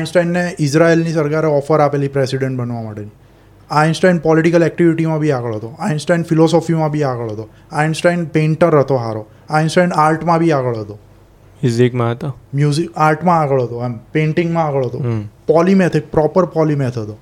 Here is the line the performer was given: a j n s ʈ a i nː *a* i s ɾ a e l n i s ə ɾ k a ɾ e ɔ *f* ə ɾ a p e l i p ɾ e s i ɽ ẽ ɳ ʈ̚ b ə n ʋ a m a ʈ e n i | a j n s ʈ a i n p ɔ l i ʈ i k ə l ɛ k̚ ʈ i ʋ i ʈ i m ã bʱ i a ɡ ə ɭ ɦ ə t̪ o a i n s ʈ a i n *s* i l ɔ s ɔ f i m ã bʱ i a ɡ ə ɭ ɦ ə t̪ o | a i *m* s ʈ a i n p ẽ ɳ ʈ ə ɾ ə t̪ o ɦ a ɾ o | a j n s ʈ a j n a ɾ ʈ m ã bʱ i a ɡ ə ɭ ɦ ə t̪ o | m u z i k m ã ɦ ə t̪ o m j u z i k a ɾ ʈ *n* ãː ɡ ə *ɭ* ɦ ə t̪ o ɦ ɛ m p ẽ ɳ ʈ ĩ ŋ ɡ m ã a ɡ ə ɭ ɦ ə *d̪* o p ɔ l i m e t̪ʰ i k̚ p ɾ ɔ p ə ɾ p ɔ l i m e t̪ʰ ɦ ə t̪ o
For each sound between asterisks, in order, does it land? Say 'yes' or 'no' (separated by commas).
no, yes, no, no, no, yes, no